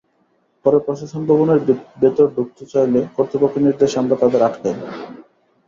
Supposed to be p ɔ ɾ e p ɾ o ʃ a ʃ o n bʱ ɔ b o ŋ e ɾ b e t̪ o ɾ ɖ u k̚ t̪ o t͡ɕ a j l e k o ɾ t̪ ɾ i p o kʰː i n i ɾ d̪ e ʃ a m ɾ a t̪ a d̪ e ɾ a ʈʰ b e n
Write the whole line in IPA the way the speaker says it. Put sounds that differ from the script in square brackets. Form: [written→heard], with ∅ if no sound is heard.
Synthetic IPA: p ɔ ɾ e p ɾ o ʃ a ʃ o n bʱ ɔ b o [ŋ→n] e ɾ b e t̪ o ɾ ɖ u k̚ t̪ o t͡ɕ a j l e k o ɾ t̪ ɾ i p o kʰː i n i ɾ d̪ e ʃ a m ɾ a t̪ a d̪ e ɾ a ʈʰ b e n